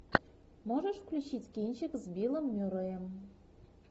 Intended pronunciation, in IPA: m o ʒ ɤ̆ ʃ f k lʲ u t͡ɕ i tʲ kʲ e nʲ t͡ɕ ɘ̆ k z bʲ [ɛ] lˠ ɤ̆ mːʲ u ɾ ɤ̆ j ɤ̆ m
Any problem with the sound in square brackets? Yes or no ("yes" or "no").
yes